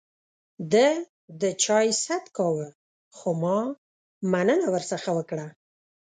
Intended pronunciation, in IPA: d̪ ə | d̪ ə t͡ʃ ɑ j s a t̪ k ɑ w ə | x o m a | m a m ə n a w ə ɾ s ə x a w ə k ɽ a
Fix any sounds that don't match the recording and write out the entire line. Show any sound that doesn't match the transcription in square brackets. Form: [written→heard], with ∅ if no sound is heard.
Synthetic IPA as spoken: d̪ ə | d̪ ə t͡ʃ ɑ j s a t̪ k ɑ w ə | x o m [a→ɑ] | m a [m→n] ə n a w ə ɾ s ə x a w ə k ɽ a

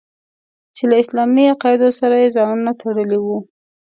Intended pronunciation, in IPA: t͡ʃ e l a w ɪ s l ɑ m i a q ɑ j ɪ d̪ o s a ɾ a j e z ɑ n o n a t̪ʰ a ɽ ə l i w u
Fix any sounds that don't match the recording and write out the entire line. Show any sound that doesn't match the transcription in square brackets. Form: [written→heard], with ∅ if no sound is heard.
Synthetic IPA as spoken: t͡ʃ e l a [w→∅] ɪ s l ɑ m i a q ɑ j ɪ d̪ o s a ɾ a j e z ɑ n [o→u] n a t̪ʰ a ɽ ə l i w u

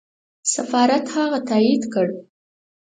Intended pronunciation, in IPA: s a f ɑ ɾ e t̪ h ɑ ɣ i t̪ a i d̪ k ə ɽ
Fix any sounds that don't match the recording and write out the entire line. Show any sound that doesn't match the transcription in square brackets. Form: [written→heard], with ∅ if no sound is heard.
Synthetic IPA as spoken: s a f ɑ ɾ [e→a] t̪ h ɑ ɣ [i→a] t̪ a i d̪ k ə ɽ

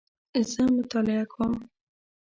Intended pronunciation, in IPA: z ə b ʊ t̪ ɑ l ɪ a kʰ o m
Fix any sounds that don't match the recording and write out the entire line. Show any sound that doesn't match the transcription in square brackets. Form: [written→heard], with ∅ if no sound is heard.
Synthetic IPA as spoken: z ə [b→m] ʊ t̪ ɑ l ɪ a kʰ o m

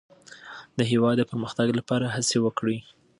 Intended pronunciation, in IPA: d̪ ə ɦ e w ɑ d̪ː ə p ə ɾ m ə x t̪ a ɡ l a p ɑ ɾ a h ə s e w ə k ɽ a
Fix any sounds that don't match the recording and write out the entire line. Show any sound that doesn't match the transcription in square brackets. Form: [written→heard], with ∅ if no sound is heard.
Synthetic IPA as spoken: d̪ ə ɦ e w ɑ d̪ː ə p ə ɾ m ə x t̪ a ɡ l a p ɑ ɾ a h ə s e w ə k ɽ [a→i]

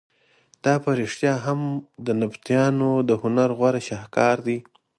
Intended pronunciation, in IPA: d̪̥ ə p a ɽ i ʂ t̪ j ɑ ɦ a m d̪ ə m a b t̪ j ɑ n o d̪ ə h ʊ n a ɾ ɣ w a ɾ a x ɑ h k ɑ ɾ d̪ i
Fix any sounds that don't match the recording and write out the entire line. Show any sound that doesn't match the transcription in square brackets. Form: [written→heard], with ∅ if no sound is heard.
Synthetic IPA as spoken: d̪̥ [ə→ɑ] p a [ɽ→ɾ] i ʂ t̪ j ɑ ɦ a m d̪ ə [m→n] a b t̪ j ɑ n o d̪ ə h ʊ n a ɾ ɣ w a ɾ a [x→ʃ] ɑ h k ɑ ɾ d̪ i

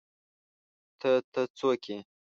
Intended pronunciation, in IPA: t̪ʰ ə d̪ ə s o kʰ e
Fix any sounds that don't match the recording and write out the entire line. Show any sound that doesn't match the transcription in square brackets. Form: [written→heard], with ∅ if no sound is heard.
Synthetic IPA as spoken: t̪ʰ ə [d̪→t̪] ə [s→t͡s] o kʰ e

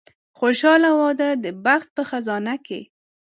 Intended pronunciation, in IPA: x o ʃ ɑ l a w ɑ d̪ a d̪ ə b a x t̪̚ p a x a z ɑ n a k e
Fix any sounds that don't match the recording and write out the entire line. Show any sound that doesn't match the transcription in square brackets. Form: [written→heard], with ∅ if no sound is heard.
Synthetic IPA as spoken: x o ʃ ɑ l a w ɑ d̪ a d̪ ə b a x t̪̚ p [a→ə] x a z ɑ n a k e

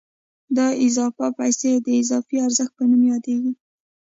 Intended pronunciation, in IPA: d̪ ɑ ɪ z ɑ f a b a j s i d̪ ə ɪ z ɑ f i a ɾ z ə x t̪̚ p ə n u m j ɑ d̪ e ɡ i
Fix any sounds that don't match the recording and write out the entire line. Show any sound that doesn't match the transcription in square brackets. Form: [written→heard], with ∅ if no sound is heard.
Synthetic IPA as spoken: d̪ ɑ ɪ z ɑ f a [b→p] a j s [i→e] d̪ ə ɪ z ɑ f i a ɾ z ə x t̪̚ p ə n u m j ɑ d̪ e ɡ i

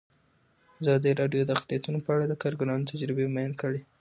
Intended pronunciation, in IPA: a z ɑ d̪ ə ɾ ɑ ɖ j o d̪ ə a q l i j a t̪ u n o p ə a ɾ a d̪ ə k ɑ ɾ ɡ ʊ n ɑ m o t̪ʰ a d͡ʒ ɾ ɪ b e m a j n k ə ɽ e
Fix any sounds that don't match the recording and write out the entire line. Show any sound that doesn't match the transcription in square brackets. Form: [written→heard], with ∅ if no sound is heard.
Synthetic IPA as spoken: a z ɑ d̪ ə ɾ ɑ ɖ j o d̪ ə a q l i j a t̪ u n o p ə a [ɾ→ɽ] a d̪ ə k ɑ ɾ ɡ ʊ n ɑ [m→n] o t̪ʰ a d͡ʒ ɾ ɪ b e m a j n k ə ɽ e

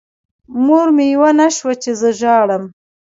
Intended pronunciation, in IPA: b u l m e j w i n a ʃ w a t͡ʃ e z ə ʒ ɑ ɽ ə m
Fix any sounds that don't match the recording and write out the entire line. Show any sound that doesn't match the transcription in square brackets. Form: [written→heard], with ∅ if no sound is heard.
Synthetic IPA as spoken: [b→m] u [l→ɾ] m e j w [i→a] n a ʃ w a t͡ʃ e z ə ʒ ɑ ɽ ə m

